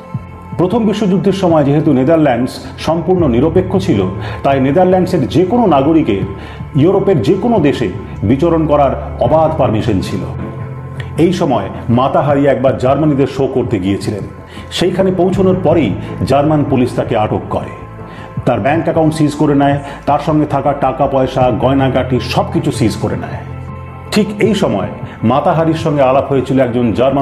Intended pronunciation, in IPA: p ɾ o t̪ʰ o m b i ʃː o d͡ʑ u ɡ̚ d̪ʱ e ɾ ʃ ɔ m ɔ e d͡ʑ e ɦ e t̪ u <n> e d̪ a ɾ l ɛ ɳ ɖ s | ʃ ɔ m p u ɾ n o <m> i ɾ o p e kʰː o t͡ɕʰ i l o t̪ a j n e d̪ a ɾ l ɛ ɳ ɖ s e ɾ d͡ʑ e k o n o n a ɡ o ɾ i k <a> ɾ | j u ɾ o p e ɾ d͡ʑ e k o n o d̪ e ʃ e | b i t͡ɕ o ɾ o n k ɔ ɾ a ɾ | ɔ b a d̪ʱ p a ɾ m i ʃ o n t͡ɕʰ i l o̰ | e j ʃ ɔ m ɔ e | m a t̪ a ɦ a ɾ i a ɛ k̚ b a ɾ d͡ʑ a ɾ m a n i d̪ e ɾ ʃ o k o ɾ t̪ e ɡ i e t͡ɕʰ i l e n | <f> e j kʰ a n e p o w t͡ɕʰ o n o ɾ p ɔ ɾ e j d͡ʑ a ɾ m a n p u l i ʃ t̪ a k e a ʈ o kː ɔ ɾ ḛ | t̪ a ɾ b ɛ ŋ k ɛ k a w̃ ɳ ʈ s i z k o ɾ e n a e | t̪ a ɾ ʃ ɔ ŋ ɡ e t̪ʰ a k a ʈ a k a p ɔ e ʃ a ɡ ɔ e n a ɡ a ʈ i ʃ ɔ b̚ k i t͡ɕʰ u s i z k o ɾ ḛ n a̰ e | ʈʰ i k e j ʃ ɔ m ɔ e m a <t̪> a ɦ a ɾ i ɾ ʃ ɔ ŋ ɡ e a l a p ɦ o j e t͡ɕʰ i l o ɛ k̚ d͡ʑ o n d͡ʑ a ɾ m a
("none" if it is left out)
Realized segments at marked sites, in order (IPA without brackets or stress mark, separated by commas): n, n, e, ʃ, t̪